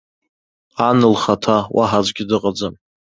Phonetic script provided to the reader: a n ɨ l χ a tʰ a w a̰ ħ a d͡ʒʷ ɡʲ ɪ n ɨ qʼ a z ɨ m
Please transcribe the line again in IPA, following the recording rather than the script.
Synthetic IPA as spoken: a n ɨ l χ a tʰ a w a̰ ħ a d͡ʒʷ ɡʲ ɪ d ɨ qʼ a d͡z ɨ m

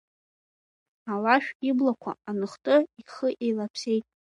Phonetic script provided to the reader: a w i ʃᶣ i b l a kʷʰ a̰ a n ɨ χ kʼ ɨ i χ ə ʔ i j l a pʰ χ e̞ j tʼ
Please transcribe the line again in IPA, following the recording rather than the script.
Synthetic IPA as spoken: a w a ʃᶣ i b l a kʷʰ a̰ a n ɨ χ tʼ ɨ i χ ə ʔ e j l a pʰ s e̞ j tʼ

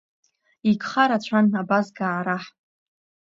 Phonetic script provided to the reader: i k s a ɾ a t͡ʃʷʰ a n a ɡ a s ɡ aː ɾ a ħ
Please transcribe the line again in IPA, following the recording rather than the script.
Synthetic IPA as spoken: i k χ a ɾ a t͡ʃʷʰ a n a b a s ɡ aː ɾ a ħ

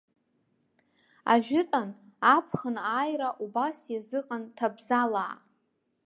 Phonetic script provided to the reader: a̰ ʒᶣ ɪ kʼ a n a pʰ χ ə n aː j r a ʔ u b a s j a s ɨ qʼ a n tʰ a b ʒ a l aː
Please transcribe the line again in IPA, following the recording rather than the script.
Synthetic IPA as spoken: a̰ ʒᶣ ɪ tʼ a n a pʰ χ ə n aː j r a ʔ u b a s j a z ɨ qʼ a n tʰ a b z a l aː

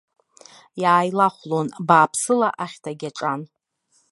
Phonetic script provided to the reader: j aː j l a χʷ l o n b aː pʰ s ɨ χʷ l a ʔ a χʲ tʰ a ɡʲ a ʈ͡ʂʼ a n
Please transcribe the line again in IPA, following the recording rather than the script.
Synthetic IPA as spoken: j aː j l a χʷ l o n b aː pʰ s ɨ l a ʔ a χʲ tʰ a ɡʲ a ʈ͡ʂʼ a n

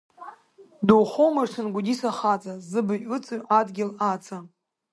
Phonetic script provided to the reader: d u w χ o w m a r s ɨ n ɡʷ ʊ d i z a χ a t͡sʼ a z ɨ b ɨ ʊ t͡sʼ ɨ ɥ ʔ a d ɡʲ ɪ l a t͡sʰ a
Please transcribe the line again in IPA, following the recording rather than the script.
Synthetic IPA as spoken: d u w χ o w m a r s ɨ n ɡʷ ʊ d i s a χ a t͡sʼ a z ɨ b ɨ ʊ t͡sʼ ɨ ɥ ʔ a d ɡʲ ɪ l a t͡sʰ a

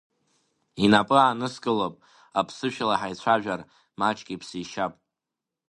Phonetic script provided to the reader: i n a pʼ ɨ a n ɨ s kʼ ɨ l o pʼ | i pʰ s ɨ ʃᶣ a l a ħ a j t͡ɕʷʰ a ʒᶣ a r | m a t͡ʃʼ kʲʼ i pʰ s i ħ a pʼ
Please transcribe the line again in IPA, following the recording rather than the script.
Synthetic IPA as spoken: i n a pʼ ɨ a n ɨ s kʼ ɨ l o pʼ | a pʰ s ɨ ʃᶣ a l a ħ a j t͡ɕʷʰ a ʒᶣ a r | m a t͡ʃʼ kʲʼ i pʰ s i ʃ a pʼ

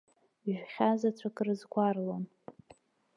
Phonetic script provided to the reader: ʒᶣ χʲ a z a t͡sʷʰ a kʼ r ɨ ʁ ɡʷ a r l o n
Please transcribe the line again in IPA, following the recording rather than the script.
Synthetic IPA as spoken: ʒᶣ χʲ a z a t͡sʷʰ a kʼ r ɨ z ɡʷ a r l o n

